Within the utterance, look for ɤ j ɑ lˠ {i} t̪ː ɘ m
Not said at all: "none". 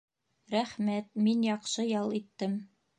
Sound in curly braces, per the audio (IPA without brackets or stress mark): i